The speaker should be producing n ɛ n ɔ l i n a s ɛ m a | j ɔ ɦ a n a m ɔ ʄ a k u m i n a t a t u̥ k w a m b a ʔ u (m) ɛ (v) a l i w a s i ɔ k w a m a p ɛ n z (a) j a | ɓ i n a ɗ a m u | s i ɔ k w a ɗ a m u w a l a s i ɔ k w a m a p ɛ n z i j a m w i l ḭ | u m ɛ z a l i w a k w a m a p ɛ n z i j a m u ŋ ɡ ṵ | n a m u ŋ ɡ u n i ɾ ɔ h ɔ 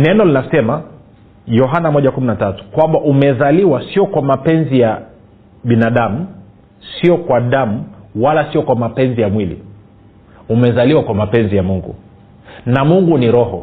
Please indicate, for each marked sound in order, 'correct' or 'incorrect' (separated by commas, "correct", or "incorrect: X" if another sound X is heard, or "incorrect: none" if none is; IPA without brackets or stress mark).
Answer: correct, incorrect: z, incorrect: i